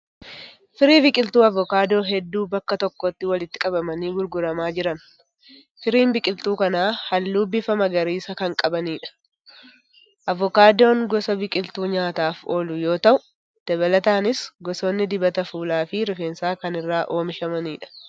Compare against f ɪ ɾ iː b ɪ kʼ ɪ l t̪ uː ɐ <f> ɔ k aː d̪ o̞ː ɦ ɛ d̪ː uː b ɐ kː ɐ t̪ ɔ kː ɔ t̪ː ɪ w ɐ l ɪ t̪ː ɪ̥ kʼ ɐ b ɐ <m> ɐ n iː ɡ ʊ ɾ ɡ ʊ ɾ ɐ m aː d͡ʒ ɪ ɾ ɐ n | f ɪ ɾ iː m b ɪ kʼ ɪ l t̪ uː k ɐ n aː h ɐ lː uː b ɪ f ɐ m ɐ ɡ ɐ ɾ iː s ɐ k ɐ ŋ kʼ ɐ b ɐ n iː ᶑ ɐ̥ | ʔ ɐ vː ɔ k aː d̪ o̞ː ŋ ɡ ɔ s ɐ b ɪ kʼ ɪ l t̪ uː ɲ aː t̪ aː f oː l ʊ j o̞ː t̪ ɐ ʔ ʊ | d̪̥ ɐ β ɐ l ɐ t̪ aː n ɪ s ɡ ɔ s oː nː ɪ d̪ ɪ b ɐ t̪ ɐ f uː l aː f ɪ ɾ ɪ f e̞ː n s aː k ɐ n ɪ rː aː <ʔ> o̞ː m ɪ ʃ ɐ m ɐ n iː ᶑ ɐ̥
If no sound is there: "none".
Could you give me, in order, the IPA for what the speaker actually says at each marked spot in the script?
v, m, ʔ

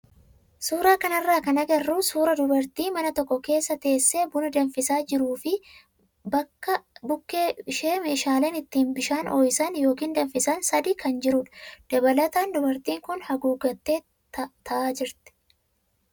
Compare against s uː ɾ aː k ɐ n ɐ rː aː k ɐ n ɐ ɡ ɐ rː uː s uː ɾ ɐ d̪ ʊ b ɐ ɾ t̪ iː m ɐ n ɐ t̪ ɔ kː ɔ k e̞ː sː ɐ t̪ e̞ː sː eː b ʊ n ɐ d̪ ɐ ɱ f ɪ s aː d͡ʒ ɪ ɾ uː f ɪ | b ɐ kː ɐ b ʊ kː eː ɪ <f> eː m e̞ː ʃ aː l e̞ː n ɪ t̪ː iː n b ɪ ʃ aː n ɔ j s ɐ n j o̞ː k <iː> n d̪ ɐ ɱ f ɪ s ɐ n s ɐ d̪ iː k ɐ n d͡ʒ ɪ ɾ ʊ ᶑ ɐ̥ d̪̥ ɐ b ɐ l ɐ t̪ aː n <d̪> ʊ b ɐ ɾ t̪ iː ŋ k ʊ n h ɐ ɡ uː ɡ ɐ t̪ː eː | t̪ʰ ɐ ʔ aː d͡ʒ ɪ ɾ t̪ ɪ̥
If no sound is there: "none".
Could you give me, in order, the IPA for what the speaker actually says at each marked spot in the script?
ʃ, iː, d̪

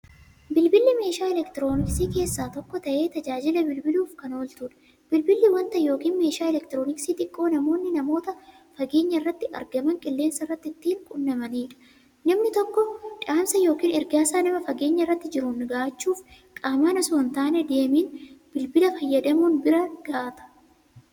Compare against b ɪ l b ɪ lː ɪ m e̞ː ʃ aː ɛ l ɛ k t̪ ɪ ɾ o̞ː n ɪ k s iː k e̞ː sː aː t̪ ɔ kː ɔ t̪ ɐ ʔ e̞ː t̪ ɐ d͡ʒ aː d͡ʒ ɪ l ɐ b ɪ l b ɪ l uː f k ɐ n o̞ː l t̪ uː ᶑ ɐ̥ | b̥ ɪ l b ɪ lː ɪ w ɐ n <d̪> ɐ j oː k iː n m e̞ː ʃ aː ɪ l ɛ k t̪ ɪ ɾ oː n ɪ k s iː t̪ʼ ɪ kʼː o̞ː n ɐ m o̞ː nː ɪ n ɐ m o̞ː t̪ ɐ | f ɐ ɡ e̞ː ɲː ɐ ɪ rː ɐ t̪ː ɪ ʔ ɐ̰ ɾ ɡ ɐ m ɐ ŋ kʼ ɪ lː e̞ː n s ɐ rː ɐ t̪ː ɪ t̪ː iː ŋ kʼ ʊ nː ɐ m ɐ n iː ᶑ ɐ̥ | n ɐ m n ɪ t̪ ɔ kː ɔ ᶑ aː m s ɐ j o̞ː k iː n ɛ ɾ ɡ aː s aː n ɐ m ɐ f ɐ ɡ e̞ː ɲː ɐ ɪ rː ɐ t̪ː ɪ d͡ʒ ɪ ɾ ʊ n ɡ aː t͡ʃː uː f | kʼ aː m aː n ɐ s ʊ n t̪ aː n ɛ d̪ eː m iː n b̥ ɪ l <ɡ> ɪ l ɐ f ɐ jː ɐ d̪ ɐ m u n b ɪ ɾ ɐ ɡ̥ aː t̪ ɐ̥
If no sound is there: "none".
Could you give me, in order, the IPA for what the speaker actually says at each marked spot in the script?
t̪, b

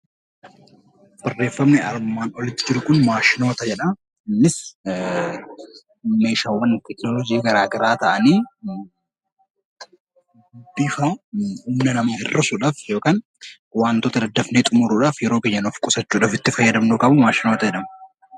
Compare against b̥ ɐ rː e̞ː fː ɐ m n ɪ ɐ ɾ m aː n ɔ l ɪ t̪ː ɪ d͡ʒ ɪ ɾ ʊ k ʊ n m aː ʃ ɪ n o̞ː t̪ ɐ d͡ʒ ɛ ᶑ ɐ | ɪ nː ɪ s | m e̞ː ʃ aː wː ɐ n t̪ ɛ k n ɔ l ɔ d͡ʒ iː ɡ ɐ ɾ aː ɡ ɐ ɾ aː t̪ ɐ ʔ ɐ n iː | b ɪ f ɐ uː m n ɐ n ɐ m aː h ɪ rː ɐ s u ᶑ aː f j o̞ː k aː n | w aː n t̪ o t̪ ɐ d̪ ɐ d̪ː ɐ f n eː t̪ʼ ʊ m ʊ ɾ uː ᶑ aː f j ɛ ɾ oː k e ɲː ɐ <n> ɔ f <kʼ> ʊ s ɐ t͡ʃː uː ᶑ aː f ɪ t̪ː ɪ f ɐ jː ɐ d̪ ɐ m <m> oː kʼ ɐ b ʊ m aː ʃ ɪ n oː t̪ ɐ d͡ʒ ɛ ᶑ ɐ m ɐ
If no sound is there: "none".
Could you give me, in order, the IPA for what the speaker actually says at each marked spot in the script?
n, kʼ, n

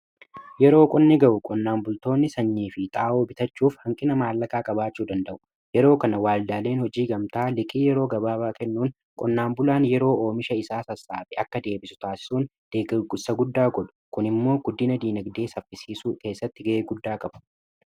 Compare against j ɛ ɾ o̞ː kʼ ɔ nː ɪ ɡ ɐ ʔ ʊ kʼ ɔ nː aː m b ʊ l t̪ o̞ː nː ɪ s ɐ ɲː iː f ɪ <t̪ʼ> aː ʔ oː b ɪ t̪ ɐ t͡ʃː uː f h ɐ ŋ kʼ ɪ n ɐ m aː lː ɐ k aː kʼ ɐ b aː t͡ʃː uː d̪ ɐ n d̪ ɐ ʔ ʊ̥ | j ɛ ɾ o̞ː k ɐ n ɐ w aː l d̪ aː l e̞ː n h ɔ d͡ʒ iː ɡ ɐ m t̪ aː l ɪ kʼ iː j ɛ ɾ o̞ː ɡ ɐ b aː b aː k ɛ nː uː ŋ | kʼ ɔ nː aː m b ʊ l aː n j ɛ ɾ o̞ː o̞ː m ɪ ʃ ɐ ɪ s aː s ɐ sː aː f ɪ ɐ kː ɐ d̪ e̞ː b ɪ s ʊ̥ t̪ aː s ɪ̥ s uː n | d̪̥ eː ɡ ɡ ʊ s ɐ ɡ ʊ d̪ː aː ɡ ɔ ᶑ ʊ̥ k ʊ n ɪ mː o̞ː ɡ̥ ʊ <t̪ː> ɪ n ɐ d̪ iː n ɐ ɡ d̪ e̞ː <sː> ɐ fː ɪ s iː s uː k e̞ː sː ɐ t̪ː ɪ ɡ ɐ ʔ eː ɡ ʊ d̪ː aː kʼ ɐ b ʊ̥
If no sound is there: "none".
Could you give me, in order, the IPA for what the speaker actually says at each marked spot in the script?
t̪ʼ, d̪ː, s

